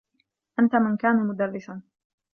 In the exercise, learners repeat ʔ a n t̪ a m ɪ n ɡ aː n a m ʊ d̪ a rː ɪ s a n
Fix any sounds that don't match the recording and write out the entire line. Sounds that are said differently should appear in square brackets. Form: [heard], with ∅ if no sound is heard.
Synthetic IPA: ʔ a n t̪ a m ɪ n [k] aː n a m ʊ d̪ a rː ɪ s a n